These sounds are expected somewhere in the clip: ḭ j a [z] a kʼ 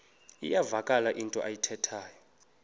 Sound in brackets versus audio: incorrect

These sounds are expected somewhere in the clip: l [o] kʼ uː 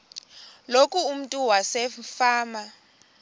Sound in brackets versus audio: correct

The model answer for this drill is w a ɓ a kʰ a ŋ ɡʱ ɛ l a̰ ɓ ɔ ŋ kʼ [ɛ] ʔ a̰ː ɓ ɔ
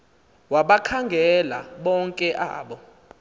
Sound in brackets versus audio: correct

